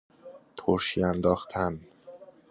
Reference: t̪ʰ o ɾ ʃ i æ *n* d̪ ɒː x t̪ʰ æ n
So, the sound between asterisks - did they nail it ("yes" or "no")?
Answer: yes